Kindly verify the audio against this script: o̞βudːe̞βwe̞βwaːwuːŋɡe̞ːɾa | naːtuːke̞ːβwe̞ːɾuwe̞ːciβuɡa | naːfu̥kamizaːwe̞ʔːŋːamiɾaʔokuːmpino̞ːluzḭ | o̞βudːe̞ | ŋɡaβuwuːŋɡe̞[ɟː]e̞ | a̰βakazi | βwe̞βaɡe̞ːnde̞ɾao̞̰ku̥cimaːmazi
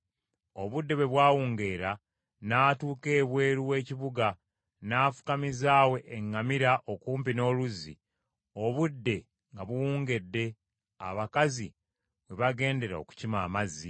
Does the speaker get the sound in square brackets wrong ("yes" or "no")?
yes